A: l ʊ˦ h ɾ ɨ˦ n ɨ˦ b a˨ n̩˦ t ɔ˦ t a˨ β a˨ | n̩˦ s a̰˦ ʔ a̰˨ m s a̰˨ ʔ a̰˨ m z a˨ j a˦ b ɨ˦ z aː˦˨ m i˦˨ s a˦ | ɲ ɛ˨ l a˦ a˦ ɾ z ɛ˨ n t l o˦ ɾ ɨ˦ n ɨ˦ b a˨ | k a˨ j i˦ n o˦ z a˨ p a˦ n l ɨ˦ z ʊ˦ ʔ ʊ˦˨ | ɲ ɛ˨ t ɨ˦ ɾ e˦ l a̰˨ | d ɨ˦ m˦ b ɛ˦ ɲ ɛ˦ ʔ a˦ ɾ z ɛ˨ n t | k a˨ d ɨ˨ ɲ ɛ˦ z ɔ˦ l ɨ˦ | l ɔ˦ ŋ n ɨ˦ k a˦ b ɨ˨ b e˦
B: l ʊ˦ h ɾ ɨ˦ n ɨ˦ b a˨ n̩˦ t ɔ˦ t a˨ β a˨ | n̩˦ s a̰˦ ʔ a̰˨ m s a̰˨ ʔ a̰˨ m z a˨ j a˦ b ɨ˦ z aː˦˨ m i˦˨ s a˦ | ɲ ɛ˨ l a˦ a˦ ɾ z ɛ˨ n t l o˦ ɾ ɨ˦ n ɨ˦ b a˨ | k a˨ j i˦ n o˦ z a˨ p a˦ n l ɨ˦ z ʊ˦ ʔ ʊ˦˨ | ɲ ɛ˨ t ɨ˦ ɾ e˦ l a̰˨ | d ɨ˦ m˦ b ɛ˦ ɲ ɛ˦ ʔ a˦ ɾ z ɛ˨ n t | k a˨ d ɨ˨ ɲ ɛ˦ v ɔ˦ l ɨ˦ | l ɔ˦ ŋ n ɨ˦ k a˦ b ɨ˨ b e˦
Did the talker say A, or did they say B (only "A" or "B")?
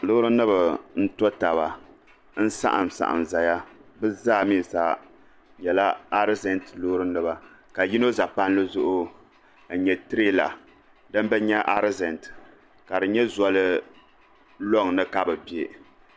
A